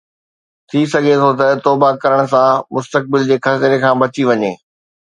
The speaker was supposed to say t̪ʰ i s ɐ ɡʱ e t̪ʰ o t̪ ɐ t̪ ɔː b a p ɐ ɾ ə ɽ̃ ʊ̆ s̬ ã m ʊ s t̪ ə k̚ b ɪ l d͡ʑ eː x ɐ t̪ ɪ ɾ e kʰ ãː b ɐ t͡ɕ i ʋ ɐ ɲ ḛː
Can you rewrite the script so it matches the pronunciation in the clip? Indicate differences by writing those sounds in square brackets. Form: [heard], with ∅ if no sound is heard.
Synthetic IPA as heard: t̪ʰ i s ɐ ɡʱ e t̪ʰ o t̪ ɐ t̪ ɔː b a [k] ɐ ɾ ə ɽ̃ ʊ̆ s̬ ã m ʊ s t̪ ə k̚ b ɪ l d͡ʑ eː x ɐ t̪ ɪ ɾ e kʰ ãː b ɐ t͡ɕ i ʋ ɐ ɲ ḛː